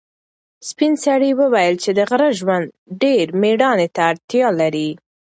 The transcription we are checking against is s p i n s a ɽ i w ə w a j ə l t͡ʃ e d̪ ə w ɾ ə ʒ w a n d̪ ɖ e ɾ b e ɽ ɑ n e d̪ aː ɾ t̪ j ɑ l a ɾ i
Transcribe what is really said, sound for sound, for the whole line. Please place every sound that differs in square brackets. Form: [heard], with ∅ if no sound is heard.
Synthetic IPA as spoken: s p i n s a ɽ i w ə w a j ə l t͡ʃ e d̪ ə [ɣ] ɾ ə ʒ w a n d̪ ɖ e ɾ [m] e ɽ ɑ n e [t̪] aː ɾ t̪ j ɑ l a ɾ i

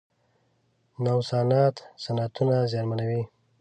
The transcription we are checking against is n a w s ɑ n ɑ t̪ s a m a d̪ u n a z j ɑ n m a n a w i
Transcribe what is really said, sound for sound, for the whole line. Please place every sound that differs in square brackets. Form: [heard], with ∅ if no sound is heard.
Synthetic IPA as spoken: n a w s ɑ n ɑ t̪ s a [n] a [t̪] u n a z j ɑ n m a n a w i

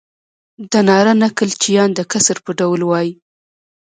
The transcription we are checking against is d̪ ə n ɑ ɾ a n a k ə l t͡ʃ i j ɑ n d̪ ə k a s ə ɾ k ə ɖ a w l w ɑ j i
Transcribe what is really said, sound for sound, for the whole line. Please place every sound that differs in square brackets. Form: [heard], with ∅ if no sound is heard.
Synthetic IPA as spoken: d̪ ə n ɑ ɾ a n a k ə l t͡ʃ i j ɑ n d̪ ə k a s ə ɾ [p] ə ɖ a w l w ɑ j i

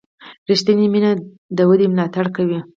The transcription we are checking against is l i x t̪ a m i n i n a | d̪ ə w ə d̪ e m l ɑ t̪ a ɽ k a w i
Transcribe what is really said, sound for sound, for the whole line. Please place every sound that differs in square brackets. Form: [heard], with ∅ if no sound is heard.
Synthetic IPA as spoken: [ɾ] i [ʃ] t̪ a [n] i [m] i n a | d̪ ə w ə d̪ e m l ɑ t̪ a ɽ k a w i

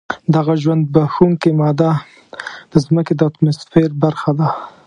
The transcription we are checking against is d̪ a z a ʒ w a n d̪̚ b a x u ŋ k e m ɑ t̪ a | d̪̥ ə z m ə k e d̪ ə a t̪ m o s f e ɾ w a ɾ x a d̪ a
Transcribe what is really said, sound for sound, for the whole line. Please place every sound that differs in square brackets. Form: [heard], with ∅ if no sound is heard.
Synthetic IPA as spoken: d̪ a [ɣ] a ʒ w a n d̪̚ b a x u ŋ k e m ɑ [d̪] a | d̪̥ ə z m ə k e d̪ ə a t̪ m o s f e ɾ [b] a ɾ x a d̪ a

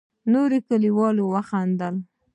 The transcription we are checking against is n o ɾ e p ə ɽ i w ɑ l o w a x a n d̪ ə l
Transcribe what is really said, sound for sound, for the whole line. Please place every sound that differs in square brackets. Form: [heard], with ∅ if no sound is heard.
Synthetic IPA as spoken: n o ɾ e [k] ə [l] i w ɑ l o w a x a n d̪ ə l

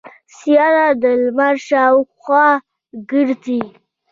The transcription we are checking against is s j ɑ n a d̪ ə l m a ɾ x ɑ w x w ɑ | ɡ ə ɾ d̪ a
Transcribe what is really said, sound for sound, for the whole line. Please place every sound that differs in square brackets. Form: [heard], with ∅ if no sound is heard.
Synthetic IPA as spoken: s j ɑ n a d̪ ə l m a ɾ [ʃ] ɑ w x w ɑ | ɡ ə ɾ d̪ [i]

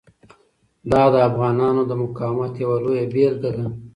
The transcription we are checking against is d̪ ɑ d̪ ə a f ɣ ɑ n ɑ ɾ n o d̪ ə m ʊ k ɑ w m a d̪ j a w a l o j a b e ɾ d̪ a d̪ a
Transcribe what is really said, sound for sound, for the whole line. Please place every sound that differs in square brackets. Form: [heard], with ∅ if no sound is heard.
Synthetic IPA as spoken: d̪ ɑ d̪ ə a f ɣ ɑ n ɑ [∅] n o d̪ ə m ʊ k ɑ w m a [t̪] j a w a l o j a b e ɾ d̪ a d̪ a

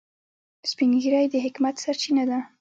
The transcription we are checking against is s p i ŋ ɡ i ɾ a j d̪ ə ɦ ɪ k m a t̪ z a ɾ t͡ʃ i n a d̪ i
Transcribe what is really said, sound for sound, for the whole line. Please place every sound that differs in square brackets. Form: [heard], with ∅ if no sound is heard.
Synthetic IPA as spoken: s p i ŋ ɡ i ɾ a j d̪ ə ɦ ɪ k m a t̪ [s] a ɾ t͡ʃ i n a d̪ [a]

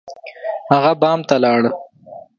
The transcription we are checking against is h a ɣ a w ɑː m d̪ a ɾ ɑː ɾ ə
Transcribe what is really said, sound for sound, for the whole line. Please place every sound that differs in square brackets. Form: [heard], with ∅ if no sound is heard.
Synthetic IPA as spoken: h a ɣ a [b] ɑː m [t̪] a [l] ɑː [ɽ] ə

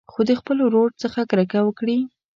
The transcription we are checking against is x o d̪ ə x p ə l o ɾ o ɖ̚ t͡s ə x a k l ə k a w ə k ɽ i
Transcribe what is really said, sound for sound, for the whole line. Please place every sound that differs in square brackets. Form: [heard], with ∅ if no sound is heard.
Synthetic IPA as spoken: x o d̪ ə x p ə l o ɾ o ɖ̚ t͡s ə x a k [ɾ] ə k a w ə k ɽ i

